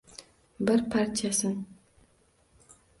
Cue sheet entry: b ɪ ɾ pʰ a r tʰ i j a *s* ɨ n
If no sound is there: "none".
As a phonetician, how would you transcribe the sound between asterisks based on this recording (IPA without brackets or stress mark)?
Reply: s